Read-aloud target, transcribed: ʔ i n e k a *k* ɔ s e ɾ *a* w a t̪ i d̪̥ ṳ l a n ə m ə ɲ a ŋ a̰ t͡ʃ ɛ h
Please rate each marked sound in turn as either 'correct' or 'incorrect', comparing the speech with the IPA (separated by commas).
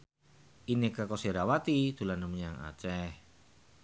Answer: correct, correct